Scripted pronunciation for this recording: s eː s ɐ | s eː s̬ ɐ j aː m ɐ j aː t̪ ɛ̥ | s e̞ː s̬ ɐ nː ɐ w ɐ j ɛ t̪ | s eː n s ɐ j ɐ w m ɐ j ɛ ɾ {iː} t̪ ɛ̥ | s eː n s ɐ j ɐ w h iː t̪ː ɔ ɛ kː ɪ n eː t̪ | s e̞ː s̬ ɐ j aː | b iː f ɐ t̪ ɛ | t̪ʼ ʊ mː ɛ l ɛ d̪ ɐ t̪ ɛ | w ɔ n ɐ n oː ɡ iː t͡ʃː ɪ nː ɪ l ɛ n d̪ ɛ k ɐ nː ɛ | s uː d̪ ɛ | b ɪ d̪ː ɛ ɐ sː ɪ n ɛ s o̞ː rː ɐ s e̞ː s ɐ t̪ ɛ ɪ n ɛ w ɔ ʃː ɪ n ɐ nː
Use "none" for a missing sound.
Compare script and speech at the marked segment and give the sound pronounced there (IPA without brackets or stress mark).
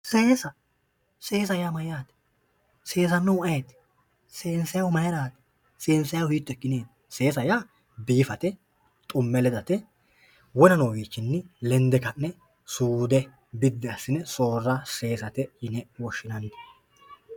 aː